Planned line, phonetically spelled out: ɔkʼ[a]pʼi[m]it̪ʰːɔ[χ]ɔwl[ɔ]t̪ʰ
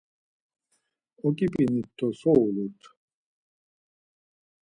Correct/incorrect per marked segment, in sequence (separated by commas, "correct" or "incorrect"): incorrect, incorrect, incorrect, incorrect